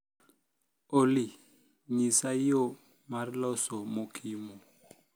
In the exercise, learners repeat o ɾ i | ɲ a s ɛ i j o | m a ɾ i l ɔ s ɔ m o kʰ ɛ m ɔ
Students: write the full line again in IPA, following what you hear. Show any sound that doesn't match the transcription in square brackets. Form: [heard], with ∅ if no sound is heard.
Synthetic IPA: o [l] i | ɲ [i] s [a] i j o | m a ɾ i l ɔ s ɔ m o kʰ [i] m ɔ